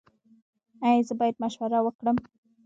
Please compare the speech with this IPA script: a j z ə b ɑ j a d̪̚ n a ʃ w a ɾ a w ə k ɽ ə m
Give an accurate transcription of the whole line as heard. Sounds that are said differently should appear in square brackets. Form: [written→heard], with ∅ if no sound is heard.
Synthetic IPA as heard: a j z ə b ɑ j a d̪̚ [n→m] a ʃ w a ɾ a w ə k ɽ ə m